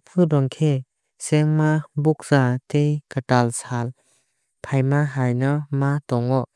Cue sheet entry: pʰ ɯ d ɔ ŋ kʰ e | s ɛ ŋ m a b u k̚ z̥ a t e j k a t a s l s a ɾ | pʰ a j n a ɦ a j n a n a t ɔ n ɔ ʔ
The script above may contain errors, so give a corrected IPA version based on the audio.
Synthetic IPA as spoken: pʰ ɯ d ɔ ŋ kʰ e | s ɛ ŋ m a b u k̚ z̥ a t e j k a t a l s a l | pʰ a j m a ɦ a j n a m a t ɔ ŋ ɔ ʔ

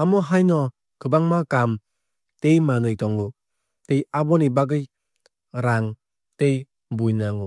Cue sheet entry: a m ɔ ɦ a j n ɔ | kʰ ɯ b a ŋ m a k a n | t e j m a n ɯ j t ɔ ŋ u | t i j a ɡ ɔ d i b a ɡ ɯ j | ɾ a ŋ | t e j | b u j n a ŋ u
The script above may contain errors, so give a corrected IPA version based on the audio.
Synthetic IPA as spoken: a m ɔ ɦ a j n ɔ | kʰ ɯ b a ŋ m a k a m | t e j m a n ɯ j t ɔ ŋ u | t e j a b ɔ n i b a ɡ ɯ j | ɾ a ŋ | t e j | b u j n a ŋ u

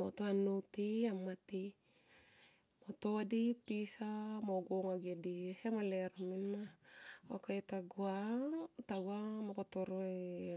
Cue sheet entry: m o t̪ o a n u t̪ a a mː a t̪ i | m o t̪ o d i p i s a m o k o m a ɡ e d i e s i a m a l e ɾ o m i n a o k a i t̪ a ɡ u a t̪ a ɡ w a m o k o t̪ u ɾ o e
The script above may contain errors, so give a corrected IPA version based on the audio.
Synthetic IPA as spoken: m o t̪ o a n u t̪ i a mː a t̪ i | m o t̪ o d i p i s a m o ɡ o ŋ a ɡ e d i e s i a m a l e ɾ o m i n a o k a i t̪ a ɡ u a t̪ a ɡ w a m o k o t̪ o ɾ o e

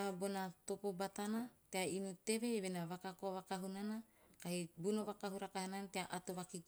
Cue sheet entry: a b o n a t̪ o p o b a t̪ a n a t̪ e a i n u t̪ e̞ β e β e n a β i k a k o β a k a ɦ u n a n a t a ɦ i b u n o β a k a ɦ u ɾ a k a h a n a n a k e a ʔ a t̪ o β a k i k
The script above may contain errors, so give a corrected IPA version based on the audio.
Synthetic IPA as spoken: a b o n a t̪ o p o b a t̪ a n a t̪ e a i n u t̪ e̞ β e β e n a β a k a k o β a k a ɦ u n a n a k a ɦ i b u n o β a k a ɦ u ɾ a k a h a n a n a t e a ʔ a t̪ o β a k i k

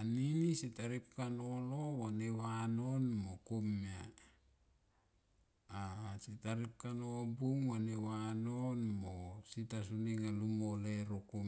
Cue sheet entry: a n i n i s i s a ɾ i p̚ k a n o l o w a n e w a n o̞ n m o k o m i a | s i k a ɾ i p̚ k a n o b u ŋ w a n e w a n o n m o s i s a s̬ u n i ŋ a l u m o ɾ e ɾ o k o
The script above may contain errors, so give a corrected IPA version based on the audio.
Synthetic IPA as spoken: a n i n i s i t a ɾ i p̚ k a n o l o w a n e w a n o̞ n m o k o m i a | s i t a ɾ i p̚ k a n o b u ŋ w a n e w a n o n m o s i t a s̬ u n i ŋ a l u m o l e ɾ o k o

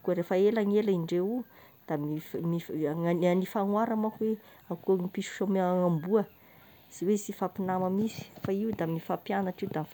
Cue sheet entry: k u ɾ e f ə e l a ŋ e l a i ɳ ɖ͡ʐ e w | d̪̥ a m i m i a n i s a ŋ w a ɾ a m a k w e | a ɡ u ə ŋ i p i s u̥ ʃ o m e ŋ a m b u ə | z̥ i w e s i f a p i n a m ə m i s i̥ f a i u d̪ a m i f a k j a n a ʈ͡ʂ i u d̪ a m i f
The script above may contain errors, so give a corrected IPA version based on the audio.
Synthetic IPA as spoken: k u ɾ e f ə e l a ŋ e l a i ɳ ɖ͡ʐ e u | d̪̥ a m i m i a n i f a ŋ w a ɾ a m a k w e | a k u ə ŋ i p i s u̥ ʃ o m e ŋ a m b u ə | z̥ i w e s i f a p i n a m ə m i s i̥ f a i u d̪ a m i f a p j a n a ʈ͡ʂ i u d̪ a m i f

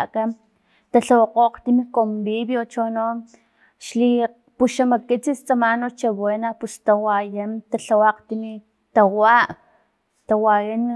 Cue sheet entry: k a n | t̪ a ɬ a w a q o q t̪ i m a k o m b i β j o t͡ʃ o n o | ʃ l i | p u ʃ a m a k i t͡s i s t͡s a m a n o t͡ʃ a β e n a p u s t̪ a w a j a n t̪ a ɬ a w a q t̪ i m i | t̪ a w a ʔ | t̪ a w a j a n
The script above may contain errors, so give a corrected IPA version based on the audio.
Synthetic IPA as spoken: k a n | t̪ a ɬ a w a q o q t̪ i m i k o m b i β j o t͡ʃ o n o | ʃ l i | p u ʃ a m a k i t͡s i s t͡s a m a n o t͡ʃ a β e n a p u s t̪ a w a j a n t̪ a ɬ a w a q t̪ i m i | t̪ a w a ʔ | t̪ a w a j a n

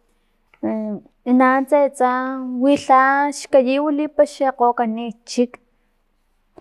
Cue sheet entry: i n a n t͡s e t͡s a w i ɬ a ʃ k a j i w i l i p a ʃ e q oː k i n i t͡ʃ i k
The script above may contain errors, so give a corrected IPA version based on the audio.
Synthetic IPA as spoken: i n a n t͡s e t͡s a w i ɬ a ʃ k a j i w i l i p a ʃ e q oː k a n i t͡ʃ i k

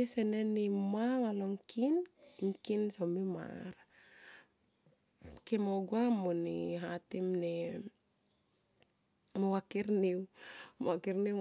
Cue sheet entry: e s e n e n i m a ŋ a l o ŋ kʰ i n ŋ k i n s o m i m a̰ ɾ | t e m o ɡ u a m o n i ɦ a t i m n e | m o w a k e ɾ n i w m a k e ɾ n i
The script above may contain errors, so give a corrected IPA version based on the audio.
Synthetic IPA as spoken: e s e n e n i m a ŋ a l o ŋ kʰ i n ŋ k i n s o m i m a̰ ɾ | k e m o ɡ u a m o n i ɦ a t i m n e | m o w a k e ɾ n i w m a k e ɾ n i

